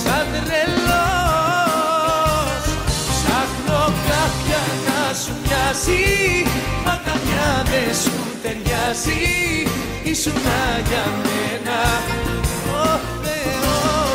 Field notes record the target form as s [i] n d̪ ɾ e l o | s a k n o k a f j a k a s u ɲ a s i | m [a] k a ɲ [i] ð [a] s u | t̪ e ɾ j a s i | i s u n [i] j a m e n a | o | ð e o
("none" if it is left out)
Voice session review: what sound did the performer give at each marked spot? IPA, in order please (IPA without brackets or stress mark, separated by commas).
a, a, a, e, a